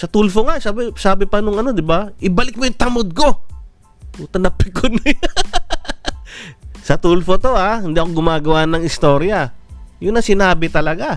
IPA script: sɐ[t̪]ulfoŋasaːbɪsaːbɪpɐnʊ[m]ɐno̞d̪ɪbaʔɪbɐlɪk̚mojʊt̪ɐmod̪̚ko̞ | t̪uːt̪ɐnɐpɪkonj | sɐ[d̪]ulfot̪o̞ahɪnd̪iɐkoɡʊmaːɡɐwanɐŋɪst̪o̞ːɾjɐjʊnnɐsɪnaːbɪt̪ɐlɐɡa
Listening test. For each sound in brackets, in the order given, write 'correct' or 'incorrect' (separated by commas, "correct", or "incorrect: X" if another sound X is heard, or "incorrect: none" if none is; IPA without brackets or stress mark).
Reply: correct, incorrect: ŋ, incorrect: t̪